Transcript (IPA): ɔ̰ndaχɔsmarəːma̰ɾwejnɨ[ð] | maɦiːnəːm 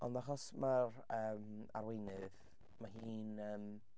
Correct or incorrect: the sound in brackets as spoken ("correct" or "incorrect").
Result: correct